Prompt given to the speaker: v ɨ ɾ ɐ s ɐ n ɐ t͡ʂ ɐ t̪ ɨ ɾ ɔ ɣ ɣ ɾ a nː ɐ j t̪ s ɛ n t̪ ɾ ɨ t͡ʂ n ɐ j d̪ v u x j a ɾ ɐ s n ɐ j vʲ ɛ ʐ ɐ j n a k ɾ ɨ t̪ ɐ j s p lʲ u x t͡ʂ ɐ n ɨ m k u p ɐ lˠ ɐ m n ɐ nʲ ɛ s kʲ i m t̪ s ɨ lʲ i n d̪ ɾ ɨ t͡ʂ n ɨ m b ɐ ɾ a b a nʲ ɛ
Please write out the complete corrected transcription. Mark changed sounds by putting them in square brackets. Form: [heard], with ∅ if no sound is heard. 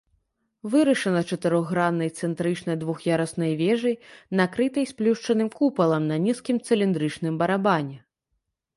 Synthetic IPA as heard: v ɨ ɾ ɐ [ʂ] ɐ n ɐ t͡ʂ ɐ t̪ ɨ ɾ ɔ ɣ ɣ ɾ a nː ɐ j t̪ s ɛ n t̪ ɾ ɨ t͡ʂ n ɐ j d̪ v u x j a ɾ ɐ s n ɐ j vʲ ɛ ʐ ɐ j n a k ɾ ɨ t̪ ɐ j s p lʲ u [ʂ] t͡ʂ ɐ n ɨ m k u p ɐ lˠ ɐ m n ɐ nʲ [i] s kʲ i m t̪ s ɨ lʲ i n d̪ ɾ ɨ t͡ʂ n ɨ m b ɐ ɾ a b a nʲ ɛ